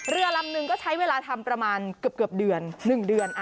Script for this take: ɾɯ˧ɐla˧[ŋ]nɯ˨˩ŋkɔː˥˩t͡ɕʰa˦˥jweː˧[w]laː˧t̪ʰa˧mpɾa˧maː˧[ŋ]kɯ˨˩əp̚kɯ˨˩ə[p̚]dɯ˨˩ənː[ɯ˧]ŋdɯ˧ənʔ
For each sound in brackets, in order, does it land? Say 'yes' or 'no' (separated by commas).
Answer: no, no, no, yes, no